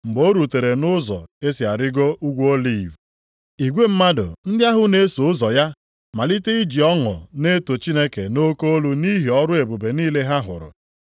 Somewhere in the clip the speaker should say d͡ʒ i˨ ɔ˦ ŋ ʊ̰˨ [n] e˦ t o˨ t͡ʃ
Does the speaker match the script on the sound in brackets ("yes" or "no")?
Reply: yes